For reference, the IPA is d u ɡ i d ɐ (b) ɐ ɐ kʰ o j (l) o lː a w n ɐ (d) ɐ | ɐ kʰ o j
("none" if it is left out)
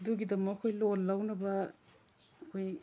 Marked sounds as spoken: m, l, b

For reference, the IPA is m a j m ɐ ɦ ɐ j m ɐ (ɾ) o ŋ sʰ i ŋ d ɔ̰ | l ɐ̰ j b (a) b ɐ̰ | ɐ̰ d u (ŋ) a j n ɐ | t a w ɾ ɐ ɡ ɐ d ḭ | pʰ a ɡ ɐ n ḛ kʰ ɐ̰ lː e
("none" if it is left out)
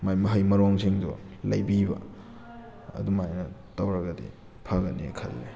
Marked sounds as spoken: ɾ, i, m

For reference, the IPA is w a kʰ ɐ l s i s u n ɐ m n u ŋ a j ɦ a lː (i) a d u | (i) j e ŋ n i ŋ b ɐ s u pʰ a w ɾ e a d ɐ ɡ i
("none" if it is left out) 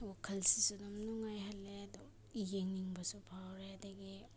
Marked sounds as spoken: e, i

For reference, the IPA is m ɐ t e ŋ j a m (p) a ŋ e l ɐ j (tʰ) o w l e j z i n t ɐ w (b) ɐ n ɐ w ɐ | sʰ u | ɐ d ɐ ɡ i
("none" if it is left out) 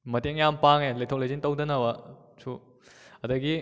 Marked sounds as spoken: p, tʰ, d

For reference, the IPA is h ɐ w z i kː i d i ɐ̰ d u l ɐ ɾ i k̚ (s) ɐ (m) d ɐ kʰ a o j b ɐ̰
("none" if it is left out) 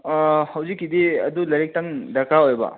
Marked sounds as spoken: t, ŋ

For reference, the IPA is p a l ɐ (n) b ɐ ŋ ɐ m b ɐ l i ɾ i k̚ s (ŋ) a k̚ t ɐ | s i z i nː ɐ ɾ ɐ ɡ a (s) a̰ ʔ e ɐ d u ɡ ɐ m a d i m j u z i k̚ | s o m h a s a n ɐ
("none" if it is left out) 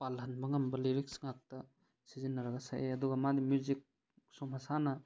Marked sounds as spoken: n, ŋ, s

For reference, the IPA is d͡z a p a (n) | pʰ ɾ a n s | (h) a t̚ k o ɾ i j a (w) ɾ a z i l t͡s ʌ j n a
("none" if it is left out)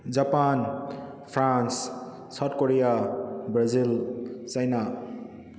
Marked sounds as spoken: n, s, b

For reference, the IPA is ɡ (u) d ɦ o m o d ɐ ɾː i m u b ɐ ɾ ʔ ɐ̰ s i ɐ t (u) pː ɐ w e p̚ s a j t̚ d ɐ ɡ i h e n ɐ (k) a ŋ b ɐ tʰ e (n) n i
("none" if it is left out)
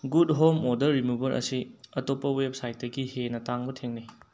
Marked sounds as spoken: u, o, t, ŋ

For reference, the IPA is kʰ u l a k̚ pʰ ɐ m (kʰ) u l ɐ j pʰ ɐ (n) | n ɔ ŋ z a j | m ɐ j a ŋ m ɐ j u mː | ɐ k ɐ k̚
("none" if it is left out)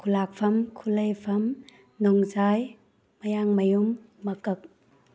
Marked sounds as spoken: kʰ, m

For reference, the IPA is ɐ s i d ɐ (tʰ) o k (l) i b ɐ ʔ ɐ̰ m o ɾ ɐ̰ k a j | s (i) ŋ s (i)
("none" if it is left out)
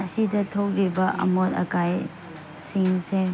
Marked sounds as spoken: tʰ, ɾ, i, e

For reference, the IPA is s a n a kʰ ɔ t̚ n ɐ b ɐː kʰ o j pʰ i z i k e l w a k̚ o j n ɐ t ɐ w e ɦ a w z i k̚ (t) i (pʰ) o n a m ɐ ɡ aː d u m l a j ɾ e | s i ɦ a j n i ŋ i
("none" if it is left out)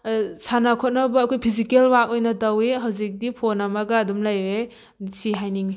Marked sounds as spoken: d, pʰ

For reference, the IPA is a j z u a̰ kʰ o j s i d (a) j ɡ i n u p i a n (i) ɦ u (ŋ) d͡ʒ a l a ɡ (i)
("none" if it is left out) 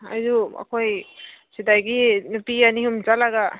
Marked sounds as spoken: a, i, m, a

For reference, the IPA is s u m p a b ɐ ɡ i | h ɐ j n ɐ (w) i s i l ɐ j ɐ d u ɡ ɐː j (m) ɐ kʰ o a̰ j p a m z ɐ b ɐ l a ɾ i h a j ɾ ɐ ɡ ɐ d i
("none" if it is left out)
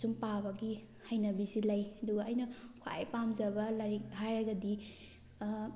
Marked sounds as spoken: b, n

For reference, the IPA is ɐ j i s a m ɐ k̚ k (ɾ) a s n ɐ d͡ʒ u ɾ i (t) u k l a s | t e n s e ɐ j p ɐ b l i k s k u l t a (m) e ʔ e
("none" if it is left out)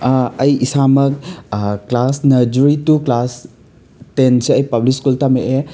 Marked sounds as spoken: l, t, m

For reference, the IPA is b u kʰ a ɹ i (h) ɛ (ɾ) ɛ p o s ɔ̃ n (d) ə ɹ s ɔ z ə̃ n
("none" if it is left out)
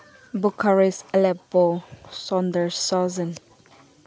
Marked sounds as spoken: s, l, d

